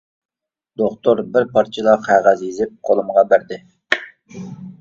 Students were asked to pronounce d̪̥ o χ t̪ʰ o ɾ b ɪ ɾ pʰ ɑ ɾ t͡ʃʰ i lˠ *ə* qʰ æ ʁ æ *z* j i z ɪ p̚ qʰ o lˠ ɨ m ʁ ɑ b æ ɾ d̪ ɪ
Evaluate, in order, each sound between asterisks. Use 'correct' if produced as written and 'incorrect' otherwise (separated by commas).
incorrect, correct